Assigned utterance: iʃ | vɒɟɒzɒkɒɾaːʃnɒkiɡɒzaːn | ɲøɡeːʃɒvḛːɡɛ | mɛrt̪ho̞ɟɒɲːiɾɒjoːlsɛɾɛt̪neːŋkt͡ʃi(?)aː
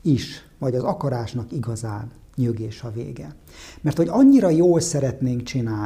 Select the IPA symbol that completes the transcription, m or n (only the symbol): n